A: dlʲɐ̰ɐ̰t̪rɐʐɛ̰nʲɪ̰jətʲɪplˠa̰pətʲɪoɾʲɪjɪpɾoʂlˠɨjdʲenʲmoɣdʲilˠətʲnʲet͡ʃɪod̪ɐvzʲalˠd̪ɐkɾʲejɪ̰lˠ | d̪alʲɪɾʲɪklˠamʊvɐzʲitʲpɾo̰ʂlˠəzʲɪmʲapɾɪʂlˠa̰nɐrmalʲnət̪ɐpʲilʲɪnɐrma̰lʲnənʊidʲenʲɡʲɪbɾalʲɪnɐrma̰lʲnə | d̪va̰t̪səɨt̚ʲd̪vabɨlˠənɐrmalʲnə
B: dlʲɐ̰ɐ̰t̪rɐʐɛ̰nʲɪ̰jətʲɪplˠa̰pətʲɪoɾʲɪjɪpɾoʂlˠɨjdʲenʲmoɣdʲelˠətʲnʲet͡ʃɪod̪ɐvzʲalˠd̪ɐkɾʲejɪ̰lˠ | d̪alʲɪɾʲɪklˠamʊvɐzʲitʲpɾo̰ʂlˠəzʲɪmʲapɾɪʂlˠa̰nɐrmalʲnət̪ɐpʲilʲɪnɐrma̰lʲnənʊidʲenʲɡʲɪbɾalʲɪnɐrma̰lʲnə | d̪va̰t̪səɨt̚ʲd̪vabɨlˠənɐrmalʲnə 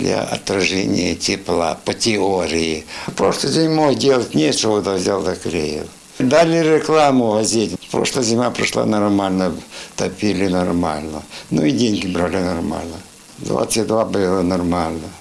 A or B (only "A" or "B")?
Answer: B